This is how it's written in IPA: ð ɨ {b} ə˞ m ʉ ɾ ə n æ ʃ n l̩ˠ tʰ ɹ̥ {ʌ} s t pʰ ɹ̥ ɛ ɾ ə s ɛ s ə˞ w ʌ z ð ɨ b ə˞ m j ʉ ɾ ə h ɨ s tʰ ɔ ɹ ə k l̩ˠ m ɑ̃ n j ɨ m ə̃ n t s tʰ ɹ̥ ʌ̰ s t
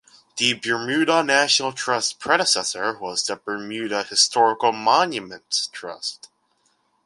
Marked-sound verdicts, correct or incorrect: correct, correct

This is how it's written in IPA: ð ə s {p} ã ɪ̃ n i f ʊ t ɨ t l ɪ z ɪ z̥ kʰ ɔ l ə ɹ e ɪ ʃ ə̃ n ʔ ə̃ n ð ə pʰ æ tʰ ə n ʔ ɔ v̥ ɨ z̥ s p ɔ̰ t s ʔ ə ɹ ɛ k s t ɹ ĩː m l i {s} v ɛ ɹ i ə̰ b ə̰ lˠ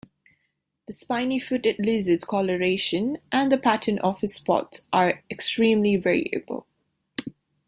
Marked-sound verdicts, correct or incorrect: correct, incorrect: none

